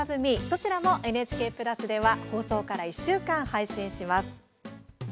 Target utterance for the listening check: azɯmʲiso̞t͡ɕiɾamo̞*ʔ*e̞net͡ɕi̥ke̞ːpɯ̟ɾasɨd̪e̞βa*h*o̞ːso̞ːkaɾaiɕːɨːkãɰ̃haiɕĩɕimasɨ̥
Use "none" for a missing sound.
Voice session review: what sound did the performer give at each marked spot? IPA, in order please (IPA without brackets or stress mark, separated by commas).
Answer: ʔ, h